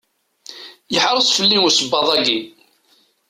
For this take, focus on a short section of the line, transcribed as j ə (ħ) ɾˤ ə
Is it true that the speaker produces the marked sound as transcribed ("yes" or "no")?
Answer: yes